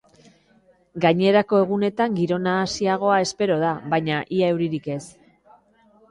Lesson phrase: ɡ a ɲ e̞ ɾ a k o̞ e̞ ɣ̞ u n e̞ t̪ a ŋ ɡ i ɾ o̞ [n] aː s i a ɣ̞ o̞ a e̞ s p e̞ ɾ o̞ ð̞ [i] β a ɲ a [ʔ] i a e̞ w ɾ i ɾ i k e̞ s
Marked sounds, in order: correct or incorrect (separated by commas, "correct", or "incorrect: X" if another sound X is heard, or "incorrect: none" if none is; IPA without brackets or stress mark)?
correct, incorrect: a, correct